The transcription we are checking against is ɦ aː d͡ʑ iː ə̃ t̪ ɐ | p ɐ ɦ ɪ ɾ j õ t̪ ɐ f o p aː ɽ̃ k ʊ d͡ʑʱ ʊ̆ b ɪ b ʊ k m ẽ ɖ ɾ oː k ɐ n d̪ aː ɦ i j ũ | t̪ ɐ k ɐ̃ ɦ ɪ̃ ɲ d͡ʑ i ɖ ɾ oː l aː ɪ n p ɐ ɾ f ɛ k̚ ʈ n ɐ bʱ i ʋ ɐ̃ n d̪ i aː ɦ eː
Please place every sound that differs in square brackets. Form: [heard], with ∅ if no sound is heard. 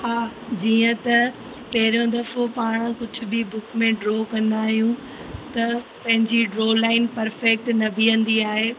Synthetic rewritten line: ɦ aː d͡ʑ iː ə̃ t̪ ɐ | p ɐ ɦ ɪ ɾ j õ [d̪] ɐ f o p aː ɽ̃ k ʊ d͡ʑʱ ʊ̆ b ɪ b ʊ k m ẽ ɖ ɾ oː k [ɐ̃] n d̪ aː ɦ i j ũ | t̪ ɐ [p] ɐ̃ ɦ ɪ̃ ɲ d͡ʑ i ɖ ɾ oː l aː ɪ n p ɐ ɾ f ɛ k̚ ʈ n ɐ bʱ i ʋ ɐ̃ n d̪ i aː ɦ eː